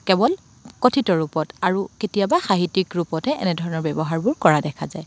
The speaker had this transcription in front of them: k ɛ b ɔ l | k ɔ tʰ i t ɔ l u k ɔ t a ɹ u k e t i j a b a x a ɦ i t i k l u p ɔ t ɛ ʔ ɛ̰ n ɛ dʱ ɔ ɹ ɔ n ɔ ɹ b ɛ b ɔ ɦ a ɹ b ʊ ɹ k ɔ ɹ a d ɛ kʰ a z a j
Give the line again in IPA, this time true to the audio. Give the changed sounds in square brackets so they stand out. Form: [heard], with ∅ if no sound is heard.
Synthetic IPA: k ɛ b ɔ l | k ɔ tʰ i t ɔ [ɹ] u [p] ɔ t a ɹ u k e t i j a b a x a ɦ i t i k [ɹ] u p ɔ t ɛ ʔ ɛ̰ n ɛ dʱ ɔ ɹ ɔ n ɔ ɹ b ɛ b ɔ ɦ a ɹ b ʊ ɹ k ɔ ɹ a d ɛ kʰ a z a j